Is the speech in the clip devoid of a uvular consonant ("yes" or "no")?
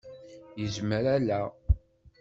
yes